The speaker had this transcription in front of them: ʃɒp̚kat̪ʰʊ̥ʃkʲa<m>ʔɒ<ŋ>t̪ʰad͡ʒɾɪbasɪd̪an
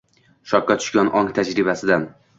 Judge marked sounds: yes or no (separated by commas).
no, yes